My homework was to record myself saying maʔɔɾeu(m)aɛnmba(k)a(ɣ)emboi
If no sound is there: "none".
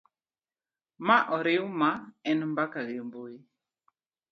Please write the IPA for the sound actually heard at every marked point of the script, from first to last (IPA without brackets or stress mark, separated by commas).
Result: m, k, ɣ